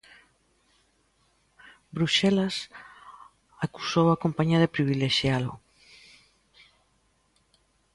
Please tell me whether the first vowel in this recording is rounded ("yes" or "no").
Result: yes